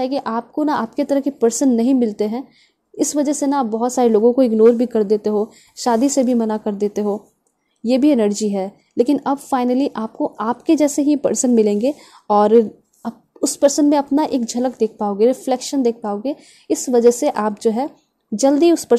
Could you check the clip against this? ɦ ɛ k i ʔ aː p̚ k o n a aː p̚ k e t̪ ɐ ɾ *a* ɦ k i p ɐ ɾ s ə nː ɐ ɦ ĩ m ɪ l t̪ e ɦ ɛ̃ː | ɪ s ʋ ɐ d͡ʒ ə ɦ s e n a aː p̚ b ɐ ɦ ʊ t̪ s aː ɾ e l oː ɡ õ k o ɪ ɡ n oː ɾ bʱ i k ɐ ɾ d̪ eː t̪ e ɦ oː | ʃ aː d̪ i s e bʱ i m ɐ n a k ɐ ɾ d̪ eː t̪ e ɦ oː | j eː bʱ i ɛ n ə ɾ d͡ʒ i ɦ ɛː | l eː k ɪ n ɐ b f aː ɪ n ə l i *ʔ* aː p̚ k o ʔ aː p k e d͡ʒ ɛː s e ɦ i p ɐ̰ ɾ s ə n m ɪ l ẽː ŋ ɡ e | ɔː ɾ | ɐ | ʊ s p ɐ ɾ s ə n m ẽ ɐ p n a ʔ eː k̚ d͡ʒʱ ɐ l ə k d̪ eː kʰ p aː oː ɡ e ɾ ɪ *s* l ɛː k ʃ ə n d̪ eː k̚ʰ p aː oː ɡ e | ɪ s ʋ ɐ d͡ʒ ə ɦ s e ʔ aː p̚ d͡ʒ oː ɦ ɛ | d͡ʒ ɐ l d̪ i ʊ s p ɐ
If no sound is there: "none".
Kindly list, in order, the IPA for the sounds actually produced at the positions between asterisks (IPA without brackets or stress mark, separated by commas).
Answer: ə, ʔ, f